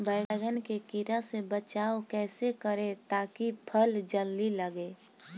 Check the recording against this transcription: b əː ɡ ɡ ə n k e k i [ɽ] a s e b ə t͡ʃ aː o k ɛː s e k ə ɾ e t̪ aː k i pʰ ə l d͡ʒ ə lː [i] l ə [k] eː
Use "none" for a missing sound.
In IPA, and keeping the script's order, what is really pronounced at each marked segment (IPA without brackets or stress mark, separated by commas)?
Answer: ɾ, i, ɡ